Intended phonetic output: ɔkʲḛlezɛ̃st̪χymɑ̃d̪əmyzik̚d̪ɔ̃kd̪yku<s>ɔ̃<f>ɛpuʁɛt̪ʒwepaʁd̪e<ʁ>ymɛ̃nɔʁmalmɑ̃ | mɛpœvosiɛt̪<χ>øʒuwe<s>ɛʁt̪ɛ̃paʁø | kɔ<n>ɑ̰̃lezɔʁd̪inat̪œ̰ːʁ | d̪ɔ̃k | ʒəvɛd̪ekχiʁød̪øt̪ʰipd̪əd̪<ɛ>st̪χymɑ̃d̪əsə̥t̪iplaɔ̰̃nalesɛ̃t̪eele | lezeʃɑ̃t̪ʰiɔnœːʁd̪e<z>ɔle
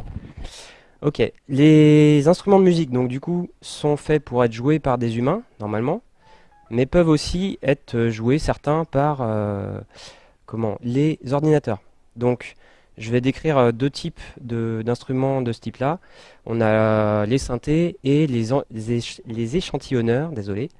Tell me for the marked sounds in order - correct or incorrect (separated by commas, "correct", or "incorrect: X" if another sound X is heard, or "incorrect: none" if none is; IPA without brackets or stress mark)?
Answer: correct, correct, incorrect: z, correct, correct, incorrect: m, incorrect: ɛ̃, correct